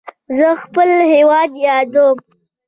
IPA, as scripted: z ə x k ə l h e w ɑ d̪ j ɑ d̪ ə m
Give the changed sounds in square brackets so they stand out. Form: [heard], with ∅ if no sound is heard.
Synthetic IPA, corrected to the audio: z ə x [p] ə l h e w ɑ d̪ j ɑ d̪ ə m